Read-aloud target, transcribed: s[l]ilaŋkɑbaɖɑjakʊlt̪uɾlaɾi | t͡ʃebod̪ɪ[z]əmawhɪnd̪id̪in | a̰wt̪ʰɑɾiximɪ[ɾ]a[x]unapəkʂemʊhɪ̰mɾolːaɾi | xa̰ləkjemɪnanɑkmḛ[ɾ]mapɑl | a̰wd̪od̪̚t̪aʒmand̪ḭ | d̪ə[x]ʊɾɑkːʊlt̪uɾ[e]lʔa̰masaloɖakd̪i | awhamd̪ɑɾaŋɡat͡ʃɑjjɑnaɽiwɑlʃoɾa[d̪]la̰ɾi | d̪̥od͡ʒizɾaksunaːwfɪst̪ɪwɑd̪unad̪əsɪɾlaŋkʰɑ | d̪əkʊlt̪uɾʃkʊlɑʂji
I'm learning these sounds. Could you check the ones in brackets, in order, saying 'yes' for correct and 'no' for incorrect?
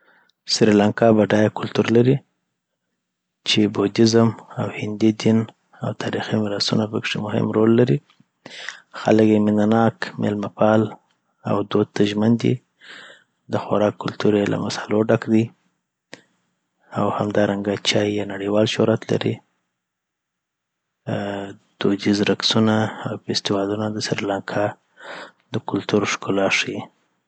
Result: no, yes, yes, no, no, yes, yes, no

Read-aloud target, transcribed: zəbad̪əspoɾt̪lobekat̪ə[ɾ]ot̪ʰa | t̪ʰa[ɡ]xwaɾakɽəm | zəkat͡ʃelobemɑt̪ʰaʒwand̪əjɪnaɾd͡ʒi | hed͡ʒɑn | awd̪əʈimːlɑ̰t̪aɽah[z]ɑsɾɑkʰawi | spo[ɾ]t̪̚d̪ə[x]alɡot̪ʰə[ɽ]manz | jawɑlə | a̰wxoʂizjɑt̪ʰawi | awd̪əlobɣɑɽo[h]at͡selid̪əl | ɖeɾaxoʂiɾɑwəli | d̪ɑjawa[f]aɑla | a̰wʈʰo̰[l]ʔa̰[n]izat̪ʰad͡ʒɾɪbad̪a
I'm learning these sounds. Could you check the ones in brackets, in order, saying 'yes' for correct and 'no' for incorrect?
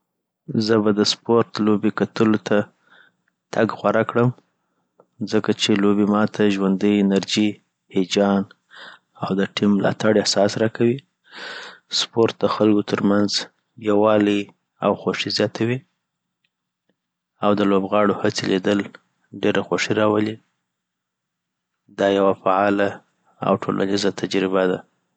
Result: no, yes, no, yes, yes, no, yes, yes, yes, yes

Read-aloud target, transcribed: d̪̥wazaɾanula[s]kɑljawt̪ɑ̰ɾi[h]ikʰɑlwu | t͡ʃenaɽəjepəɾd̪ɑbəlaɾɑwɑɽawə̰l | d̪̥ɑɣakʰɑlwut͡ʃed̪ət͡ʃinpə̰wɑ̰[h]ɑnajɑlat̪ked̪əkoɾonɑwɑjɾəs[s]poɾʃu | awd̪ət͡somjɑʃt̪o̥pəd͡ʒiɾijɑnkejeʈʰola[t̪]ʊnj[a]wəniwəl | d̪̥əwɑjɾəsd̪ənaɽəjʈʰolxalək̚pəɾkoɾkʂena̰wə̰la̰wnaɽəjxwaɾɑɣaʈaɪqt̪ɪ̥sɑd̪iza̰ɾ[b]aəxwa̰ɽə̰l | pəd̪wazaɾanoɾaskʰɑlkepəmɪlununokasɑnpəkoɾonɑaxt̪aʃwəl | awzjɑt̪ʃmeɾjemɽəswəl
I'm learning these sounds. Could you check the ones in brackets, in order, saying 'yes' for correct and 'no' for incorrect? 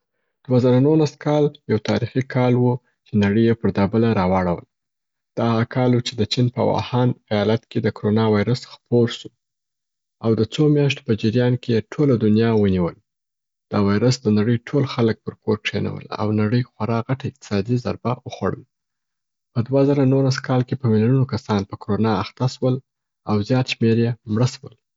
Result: yes, no, yes, no, no, no, yes

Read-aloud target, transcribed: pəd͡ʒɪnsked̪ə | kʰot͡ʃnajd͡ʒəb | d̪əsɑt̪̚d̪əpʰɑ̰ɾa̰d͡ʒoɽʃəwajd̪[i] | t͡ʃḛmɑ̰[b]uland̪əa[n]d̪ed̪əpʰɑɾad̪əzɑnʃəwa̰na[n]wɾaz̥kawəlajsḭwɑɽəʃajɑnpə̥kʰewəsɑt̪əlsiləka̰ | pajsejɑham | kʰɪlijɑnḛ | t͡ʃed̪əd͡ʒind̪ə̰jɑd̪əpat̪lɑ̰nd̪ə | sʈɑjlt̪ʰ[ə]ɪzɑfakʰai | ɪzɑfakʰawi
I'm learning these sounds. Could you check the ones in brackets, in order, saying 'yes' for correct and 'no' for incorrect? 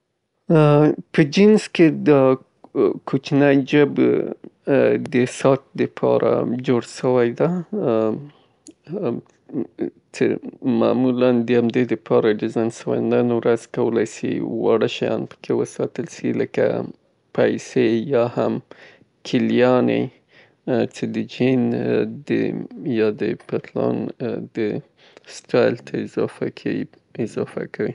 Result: no, no, no, yes, no

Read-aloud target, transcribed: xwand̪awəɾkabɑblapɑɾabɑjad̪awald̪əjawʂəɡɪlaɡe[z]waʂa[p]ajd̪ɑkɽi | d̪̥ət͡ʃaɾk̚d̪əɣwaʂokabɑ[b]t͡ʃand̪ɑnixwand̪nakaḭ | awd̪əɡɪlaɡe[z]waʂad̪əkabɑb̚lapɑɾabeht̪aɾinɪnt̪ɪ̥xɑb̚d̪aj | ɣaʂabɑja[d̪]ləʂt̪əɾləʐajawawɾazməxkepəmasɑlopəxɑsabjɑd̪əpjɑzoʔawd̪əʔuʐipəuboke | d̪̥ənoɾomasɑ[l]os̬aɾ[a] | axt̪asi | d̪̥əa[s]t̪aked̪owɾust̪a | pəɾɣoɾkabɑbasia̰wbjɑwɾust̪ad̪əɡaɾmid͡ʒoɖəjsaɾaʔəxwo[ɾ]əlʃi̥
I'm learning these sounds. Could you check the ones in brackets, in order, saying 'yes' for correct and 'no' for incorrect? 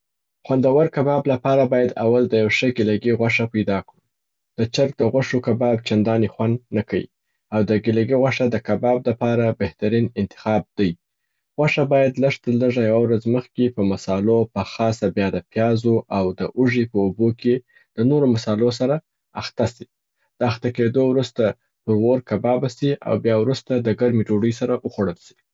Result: no, yes, yes, no, yes, yes, yes, no, no

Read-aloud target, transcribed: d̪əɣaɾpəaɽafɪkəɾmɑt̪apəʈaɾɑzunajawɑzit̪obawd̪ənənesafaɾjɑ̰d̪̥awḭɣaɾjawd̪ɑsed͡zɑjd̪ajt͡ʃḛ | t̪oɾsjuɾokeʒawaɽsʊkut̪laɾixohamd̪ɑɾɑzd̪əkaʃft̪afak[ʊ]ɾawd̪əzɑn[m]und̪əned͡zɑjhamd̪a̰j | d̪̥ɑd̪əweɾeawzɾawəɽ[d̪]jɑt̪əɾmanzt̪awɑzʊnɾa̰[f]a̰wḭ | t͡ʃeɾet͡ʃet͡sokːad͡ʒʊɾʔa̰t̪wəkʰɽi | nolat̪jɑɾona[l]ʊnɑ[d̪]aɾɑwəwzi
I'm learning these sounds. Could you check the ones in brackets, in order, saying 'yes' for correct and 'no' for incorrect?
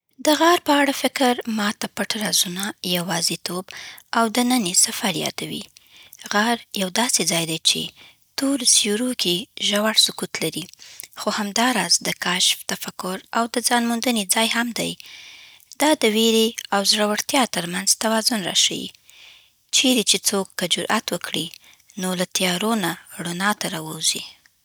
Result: yes, yes, no, no, no, no

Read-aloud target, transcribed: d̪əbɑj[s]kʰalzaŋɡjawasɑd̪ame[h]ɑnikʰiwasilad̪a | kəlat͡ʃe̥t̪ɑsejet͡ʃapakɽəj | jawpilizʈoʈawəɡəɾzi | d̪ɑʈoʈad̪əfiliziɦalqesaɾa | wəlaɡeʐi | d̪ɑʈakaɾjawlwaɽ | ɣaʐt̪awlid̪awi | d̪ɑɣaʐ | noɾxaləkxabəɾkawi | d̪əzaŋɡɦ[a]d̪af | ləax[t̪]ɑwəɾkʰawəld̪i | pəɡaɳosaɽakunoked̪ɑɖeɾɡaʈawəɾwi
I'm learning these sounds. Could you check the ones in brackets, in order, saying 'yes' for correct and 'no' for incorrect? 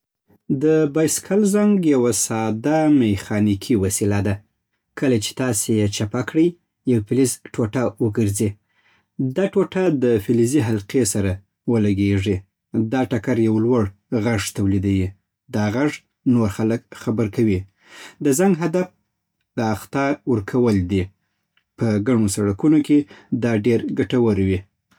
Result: yes, no, yes, yes

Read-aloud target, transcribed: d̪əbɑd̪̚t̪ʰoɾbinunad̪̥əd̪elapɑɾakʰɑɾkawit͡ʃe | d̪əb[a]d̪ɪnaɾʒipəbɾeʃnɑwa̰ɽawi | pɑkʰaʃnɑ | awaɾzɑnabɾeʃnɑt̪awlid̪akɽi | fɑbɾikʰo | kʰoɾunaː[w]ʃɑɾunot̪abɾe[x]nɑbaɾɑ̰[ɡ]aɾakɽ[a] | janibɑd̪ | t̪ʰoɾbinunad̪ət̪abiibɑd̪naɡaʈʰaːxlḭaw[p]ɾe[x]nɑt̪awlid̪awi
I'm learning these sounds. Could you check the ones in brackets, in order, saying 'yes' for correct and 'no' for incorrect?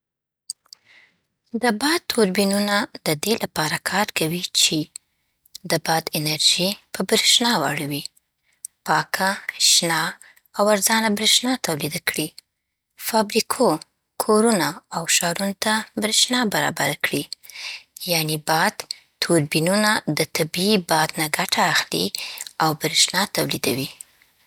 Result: no, yes, no, no, no, no, no

